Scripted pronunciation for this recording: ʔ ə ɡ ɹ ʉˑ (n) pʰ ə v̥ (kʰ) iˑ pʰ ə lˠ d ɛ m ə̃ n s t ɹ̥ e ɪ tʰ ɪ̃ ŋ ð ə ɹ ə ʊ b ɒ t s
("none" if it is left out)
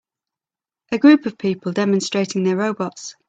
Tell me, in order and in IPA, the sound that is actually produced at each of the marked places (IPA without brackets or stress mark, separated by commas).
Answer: none, pʰ